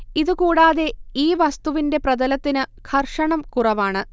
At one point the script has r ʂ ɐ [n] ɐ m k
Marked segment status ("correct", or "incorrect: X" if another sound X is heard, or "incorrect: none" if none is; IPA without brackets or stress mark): incorrect: ɳ